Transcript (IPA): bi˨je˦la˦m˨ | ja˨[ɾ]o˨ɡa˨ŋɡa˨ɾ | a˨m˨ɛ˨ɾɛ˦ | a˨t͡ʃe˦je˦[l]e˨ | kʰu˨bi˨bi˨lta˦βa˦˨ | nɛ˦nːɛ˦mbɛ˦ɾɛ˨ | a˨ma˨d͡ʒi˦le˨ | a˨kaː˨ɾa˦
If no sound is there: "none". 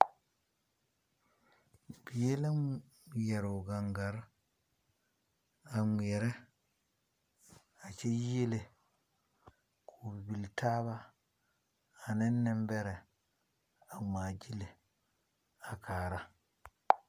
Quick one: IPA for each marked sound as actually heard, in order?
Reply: ɾ, l

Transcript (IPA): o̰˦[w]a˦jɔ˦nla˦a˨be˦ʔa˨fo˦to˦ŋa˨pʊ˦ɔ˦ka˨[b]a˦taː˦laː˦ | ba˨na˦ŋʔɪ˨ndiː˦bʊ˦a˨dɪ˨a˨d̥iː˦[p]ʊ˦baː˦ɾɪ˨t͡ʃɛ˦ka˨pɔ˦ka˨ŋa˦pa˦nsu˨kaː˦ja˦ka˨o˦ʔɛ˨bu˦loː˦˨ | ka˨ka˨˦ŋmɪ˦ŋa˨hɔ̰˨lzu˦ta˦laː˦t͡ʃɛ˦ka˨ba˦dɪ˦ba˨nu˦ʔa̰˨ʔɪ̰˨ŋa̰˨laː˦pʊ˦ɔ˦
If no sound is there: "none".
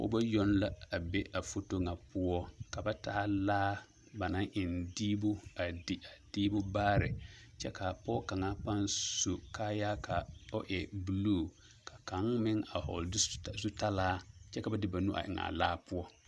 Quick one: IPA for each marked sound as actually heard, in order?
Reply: b, b, b

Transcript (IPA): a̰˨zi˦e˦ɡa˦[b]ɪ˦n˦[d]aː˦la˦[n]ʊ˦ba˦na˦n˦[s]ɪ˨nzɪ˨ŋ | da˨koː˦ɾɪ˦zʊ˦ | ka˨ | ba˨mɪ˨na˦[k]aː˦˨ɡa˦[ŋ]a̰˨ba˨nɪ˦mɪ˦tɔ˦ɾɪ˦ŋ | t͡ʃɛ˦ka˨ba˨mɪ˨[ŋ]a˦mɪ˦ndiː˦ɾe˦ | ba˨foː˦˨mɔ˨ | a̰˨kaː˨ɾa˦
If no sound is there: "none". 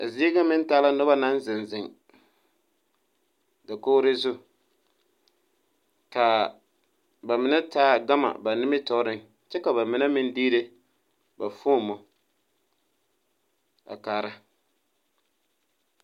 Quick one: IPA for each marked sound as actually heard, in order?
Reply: m, t, n, z, t, m, n

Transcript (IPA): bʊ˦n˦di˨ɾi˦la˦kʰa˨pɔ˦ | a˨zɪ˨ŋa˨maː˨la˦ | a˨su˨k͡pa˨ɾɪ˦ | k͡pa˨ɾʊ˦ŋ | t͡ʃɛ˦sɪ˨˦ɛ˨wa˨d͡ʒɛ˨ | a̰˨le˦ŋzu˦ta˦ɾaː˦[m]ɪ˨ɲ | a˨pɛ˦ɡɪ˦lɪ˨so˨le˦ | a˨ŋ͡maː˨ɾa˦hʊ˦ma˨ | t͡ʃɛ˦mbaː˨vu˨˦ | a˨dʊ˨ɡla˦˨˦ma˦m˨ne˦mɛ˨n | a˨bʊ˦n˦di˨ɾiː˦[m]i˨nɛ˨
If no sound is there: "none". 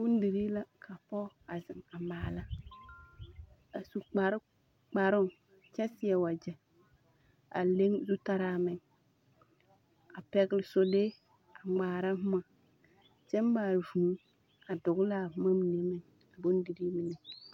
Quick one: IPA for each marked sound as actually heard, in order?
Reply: m, m

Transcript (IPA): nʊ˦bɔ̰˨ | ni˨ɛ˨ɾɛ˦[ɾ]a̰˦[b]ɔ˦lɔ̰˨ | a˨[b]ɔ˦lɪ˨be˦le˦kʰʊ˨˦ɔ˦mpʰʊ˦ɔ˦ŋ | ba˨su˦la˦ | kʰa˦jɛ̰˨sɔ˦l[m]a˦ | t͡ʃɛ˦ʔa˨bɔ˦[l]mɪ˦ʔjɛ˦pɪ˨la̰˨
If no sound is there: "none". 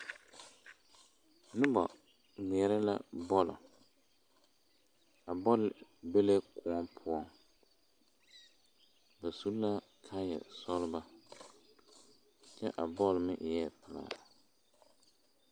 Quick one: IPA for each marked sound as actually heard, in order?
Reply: l, b, b, b, l

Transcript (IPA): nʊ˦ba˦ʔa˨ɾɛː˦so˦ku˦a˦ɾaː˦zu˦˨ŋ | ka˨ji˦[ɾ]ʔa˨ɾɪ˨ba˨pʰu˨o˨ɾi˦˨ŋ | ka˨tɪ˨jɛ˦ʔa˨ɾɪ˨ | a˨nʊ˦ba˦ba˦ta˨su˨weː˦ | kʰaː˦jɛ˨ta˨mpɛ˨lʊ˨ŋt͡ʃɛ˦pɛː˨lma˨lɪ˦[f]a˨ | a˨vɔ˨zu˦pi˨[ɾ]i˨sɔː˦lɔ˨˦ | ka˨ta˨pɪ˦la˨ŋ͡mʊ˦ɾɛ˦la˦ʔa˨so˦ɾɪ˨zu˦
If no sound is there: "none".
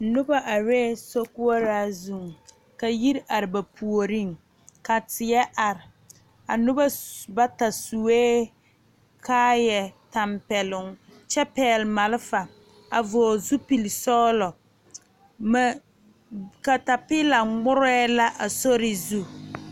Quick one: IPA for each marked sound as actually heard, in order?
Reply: ɾ, f, l

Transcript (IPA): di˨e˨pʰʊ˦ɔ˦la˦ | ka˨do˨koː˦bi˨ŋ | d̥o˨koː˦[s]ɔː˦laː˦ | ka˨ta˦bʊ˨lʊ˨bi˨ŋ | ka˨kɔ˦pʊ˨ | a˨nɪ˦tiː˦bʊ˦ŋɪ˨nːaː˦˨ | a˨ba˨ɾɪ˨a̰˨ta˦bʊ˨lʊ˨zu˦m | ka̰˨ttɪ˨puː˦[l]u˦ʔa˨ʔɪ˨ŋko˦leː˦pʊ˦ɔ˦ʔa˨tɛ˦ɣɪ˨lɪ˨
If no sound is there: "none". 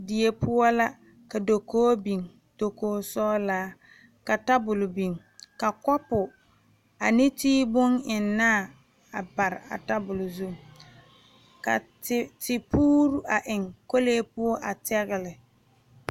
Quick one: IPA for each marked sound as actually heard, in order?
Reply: s, ɾ

